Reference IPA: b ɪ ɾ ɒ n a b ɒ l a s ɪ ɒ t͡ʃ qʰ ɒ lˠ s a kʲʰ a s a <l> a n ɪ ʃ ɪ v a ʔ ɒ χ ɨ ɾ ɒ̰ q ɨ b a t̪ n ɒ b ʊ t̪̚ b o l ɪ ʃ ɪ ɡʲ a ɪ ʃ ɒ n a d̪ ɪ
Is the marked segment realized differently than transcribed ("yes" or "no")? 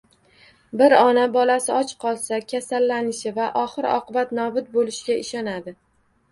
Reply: yes